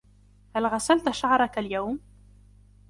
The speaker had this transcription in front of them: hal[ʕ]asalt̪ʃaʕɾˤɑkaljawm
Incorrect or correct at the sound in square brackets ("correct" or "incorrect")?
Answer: incorrect